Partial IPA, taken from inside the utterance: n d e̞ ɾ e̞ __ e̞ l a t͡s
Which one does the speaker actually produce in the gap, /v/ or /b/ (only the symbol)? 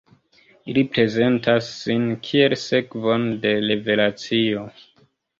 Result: v